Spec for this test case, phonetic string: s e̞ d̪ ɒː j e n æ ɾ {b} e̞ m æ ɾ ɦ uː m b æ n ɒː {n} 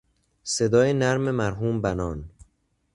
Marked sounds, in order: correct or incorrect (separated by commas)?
incorrect, correct